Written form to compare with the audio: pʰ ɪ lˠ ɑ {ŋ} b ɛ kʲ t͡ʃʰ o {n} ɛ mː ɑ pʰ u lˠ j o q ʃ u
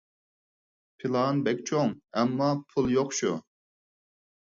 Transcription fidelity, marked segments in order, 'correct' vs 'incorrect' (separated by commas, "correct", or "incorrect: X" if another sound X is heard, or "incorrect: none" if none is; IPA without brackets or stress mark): incorrect: n, incorrect: ŋ